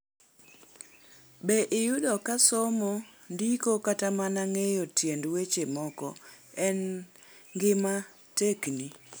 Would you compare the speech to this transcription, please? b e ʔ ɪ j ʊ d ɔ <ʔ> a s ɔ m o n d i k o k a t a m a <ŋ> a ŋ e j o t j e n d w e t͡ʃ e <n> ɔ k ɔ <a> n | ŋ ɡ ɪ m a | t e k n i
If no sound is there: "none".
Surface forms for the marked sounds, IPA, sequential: k, n, m, ɛ

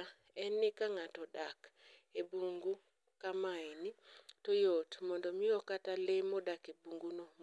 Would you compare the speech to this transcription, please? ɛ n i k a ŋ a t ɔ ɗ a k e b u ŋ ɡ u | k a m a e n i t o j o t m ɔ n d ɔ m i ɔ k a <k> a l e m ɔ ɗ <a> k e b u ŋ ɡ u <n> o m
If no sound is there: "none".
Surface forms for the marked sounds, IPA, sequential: t, a, n

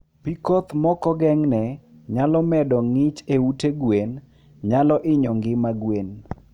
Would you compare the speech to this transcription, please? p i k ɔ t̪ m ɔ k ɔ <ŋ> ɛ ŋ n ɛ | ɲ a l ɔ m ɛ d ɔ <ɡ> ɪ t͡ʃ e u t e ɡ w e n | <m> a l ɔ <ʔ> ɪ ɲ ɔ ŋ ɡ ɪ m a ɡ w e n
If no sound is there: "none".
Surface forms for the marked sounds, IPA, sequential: ɡ, ŋ, ɲ, ʔ

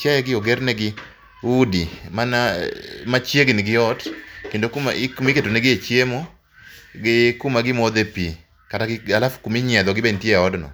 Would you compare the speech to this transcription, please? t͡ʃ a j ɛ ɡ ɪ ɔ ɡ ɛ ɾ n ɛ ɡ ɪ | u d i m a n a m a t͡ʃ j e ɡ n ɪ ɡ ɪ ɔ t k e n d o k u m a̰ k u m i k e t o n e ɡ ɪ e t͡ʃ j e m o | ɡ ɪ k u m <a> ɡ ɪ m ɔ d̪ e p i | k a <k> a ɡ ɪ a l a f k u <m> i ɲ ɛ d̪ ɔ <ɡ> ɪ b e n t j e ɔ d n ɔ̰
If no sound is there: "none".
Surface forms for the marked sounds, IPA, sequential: a, t, m, ɡ

